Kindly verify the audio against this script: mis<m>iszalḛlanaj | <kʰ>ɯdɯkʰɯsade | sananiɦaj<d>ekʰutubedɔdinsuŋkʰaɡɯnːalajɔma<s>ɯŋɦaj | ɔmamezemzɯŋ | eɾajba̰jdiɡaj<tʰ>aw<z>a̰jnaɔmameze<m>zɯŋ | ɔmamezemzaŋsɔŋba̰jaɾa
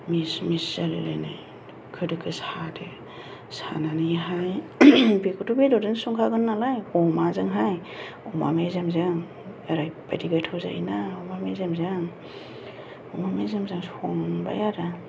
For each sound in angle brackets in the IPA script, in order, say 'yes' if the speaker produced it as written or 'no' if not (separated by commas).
yes, yes, no, no, yes, yes, yes